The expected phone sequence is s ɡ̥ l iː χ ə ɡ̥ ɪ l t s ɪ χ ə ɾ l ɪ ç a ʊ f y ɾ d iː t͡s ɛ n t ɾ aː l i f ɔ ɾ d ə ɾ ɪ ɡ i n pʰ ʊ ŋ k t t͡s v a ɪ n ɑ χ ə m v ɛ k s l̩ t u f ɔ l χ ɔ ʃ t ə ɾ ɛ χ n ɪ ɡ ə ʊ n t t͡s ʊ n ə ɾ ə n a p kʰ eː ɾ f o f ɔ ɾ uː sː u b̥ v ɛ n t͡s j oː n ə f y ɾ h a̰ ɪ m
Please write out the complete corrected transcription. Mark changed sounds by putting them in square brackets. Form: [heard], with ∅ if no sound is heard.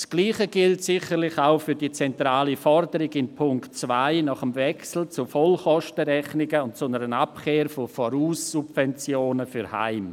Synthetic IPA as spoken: s ɡ̥ l iː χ ə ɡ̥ ɪ l t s ɪ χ ə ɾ l ɪ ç a ʊ f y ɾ d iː t͡s ɛ n t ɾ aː l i f ɔ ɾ d ə ɾ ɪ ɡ [ɪ] n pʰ ʊ ŋ k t t͡s v a ɪ n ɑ χ ə m v ɛ k s l̩ [t͡s] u f ɔ l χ ɔ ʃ t ə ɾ ɛ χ n ɪ ɡ ə ʊ n t t͡s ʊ n ə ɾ ə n a p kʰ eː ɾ f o f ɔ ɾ uː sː u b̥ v ɛ n t͡s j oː n ə f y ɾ h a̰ ɪ m